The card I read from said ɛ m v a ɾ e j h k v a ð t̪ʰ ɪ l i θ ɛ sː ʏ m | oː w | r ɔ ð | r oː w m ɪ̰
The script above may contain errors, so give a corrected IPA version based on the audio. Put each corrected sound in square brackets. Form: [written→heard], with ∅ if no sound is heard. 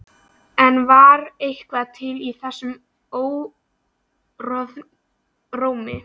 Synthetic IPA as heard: ɛ [m→n] v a ɾ e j h k v a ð t̪ʰ ɪ l i θ ɛ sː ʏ m | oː w | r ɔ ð | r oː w m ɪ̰